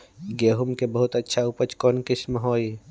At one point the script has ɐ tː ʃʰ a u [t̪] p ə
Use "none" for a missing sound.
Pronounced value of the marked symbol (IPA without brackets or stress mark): none